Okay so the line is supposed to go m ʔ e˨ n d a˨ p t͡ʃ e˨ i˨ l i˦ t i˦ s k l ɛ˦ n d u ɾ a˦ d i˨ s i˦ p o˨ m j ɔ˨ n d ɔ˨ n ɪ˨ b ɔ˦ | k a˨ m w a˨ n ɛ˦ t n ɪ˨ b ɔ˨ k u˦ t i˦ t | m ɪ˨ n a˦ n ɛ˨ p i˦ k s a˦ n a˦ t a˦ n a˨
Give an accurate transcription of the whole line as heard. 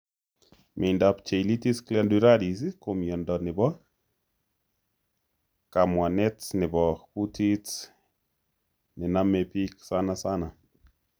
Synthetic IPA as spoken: m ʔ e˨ n d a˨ p t͡ʃ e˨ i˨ l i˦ t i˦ s k l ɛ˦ n d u ɾ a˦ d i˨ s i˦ k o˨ m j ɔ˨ n d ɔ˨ n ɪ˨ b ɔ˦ | k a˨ m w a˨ n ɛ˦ t n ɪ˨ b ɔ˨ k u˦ t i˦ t | n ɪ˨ n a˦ m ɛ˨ p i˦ k s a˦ n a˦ s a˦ n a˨